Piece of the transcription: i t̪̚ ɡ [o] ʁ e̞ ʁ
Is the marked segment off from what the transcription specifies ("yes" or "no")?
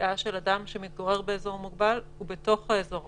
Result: no